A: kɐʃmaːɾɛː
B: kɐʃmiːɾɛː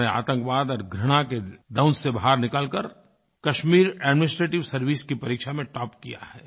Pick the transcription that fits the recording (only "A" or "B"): B